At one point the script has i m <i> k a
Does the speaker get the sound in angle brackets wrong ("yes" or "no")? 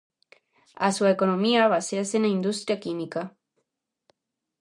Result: no